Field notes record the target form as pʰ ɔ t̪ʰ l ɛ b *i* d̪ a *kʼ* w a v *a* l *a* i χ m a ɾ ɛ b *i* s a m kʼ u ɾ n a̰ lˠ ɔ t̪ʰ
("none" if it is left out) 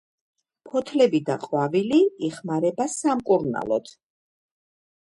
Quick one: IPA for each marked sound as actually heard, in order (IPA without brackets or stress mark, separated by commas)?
i, qʼ, i, i, a